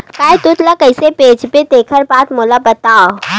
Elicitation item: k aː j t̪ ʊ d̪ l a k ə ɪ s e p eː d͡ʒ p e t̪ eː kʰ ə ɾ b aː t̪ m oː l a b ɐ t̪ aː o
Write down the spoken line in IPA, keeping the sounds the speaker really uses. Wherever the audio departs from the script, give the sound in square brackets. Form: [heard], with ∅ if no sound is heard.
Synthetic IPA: k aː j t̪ ʊ [t̪] l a k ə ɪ s e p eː d͡ʒ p e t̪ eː kʰ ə ɾ b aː t̪ m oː l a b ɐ t̪ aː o